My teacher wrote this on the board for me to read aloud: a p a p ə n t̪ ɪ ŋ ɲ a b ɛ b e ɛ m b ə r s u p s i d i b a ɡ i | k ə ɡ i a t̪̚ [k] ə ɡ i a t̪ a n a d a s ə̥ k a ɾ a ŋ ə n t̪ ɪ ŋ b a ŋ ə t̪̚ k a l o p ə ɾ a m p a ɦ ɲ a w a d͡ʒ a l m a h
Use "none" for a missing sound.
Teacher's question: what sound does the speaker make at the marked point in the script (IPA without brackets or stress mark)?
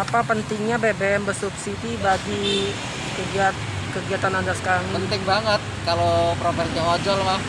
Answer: k